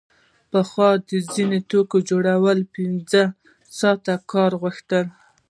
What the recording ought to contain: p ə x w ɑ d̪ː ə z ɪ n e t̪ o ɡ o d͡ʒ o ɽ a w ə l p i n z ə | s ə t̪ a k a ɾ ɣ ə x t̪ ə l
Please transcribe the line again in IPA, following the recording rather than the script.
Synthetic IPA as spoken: p ə x w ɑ d̪ ə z i n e t̪ o k o d͡ʒ o ɽ a w ə l p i n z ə | s ɑ t̪ a k ɑ ɾ ɣ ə x t̪ ə l

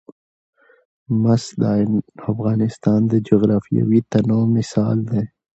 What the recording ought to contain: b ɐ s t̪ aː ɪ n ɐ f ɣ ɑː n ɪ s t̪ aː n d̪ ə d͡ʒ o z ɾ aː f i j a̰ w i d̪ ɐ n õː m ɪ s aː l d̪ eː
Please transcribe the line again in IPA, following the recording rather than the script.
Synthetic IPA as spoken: m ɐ s d̪ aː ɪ n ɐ f ɣ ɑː n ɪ s t̪ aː n d̪ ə d͡ʒ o ɣ ɾ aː f i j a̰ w i t̪ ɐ n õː m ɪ s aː l d̪ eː

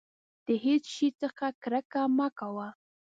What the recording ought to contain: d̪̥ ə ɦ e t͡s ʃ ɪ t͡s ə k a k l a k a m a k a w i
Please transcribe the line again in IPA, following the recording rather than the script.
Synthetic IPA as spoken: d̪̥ ə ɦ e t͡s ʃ i t͡s ə x a k ɾ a k a m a k a w a

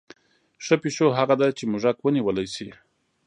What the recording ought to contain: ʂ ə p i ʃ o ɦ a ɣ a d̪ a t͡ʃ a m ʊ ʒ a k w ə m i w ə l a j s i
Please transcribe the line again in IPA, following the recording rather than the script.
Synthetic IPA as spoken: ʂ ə p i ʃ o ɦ a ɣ a d̪ a t͡ʃ e m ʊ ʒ a k w ə n i w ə l a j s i

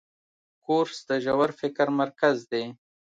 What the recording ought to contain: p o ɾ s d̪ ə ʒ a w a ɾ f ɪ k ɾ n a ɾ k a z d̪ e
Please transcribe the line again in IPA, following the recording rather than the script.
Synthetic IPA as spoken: k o ɾ s d̪ ə ʒ a w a ɾ f ɪ k ɾ m a ɾ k a z d̪ e

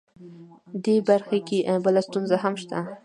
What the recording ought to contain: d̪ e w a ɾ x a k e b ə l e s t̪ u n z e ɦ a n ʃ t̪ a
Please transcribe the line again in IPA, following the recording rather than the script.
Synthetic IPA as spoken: d̪ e b a ɾ x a k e b ə l a s t̪ u n z a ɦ a m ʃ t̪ a

